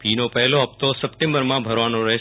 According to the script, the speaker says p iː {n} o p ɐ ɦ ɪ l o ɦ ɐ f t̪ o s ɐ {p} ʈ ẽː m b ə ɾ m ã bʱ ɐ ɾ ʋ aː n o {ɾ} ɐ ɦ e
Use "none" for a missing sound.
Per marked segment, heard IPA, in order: n, p, ɾ

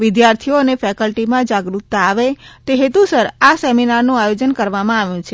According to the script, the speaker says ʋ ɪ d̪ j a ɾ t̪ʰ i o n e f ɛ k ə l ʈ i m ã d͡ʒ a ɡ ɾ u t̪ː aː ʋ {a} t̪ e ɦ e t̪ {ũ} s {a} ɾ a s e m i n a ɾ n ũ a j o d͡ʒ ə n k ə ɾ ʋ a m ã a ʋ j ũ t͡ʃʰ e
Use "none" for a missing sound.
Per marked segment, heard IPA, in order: e, u, ə

